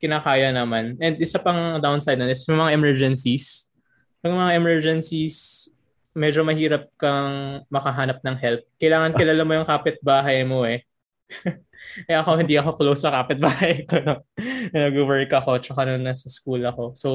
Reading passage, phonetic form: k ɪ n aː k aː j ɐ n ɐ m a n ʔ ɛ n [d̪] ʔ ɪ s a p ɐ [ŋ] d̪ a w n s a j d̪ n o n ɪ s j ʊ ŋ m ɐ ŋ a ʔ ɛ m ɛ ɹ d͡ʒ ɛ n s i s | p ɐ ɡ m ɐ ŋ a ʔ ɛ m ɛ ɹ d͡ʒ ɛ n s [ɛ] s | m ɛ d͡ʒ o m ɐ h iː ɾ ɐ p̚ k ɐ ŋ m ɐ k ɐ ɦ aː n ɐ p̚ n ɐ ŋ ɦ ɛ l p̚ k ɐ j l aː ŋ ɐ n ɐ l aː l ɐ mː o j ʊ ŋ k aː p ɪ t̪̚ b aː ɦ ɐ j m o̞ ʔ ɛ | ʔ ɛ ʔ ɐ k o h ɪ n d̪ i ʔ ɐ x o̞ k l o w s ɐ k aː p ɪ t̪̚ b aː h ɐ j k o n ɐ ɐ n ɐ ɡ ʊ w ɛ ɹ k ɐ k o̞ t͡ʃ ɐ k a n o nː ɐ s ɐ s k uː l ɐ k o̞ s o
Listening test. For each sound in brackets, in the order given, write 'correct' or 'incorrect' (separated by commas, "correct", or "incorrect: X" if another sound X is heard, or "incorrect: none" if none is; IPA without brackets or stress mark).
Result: correct, correct, incorrect: i